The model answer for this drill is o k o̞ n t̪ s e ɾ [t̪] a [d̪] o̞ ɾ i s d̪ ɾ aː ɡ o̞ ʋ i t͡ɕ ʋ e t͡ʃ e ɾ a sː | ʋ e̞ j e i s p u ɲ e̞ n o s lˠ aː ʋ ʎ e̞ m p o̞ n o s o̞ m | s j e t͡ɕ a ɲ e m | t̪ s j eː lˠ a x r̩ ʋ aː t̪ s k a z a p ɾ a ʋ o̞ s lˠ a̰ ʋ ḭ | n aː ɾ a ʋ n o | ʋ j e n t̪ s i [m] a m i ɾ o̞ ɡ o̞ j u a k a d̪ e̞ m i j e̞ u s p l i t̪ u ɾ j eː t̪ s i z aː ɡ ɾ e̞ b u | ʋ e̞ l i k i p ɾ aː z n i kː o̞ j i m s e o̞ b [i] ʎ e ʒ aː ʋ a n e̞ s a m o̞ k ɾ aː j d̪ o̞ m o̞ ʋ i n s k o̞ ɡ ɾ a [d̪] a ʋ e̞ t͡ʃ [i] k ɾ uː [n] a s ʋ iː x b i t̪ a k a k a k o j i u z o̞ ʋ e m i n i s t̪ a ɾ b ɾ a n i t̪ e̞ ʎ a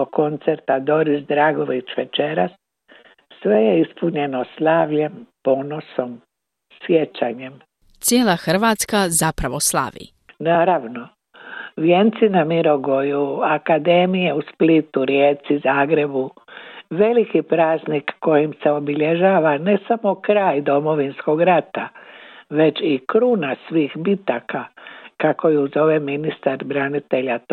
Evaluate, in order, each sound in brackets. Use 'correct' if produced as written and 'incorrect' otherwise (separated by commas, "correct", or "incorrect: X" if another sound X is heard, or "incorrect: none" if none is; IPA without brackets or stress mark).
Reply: correct, correct, incorrect: n, correct, incorrect: t̪, correct, correct